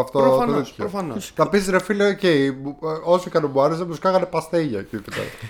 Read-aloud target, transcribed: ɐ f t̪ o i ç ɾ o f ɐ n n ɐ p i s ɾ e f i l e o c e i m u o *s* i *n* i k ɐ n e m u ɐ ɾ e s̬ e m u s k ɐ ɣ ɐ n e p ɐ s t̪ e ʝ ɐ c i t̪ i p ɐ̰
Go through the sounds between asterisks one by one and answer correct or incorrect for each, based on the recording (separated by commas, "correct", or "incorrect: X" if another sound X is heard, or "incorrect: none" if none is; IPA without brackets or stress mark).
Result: correct, incorrect: none